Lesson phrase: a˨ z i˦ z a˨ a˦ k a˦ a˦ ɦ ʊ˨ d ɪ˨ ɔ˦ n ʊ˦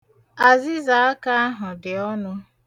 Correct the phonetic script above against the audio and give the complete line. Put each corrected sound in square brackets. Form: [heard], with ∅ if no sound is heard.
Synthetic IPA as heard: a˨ z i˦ z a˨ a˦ k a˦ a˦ ɦ ʊ˨ d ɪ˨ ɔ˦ n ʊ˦